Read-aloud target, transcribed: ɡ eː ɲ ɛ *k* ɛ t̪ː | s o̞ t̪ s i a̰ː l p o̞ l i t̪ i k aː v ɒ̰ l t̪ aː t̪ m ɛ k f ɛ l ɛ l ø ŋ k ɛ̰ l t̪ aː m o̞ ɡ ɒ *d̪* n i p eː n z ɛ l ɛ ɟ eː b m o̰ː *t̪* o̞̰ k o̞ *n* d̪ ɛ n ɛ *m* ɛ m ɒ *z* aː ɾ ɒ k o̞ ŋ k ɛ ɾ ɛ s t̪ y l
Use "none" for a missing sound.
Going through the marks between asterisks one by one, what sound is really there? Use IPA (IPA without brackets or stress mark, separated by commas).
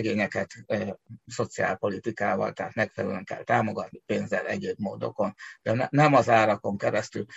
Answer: k, t̪, d̪, n, n, z